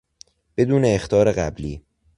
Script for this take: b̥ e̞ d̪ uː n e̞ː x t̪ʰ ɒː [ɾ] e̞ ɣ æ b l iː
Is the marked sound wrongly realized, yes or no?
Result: no